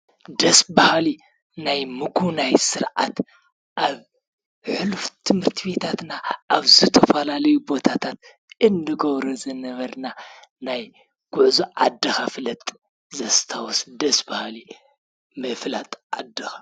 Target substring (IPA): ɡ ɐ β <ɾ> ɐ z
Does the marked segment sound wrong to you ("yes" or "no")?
no